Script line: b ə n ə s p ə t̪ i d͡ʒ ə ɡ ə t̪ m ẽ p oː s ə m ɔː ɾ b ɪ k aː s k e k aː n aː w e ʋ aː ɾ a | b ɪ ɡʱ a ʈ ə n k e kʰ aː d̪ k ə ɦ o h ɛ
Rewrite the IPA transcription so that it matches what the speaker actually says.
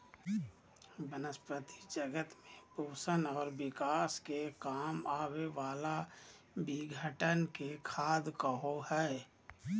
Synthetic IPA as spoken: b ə n ə s p ə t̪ i d͡ʒ ə ɡ ə t̪ m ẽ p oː s ə n ɔː ɾ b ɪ k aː s k e k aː m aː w e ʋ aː l a | b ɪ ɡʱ ə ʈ ə n k e kʰ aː d̪ k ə ɦ o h ɛ